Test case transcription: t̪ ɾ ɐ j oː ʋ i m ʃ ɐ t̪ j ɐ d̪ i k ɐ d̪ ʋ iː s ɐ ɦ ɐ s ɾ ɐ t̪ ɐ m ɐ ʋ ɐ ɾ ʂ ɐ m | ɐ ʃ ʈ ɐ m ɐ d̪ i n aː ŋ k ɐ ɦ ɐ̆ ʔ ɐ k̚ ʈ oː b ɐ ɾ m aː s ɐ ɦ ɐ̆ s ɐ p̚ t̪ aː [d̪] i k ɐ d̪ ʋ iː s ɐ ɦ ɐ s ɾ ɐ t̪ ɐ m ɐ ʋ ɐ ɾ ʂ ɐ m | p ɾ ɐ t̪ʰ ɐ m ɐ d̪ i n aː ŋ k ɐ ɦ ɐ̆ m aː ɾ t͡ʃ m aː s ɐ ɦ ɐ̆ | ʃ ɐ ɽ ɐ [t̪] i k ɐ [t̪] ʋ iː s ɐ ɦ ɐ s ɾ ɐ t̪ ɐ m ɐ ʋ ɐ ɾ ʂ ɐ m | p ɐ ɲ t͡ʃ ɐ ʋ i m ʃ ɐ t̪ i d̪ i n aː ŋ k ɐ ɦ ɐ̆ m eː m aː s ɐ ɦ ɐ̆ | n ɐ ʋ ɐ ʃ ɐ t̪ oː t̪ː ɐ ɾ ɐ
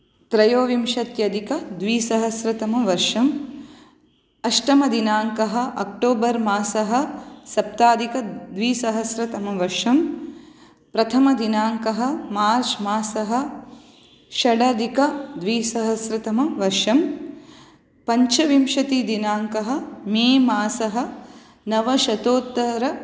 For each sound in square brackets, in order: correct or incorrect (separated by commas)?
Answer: correct, incorrect, incorrect